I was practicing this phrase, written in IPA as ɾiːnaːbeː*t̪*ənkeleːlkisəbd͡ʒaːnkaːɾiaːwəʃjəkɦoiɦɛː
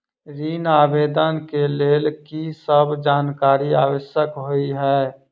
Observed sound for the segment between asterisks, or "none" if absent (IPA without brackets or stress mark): d̪